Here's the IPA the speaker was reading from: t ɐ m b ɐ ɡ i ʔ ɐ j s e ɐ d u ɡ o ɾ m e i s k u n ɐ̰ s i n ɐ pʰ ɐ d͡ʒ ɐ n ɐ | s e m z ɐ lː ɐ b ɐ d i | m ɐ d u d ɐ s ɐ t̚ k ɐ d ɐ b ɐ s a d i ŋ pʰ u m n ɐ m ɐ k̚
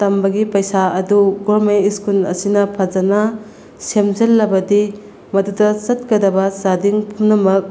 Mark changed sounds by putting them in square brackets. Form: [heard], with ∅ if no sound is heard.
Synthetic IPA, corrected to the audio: t ɐ m b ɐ ɡ i [p] ɐ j s [a] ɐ d u ɡ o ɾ m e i s k u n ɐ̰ s i n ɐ pʰ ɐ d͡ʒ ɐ n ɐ | s e m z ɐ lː ɐ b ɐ d i | m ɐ d u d ɐ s ɐ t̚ k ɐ d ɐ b ɐ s a d i ŋ pʰ u m n ɐ m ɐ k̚